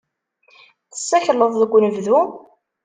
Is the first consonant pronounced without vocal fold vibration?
yes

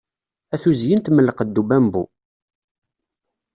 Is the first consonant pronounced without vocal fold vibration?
yes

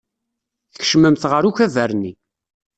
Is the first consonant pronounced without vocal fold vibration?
yes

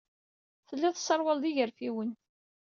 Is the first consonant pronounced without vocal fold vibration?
yes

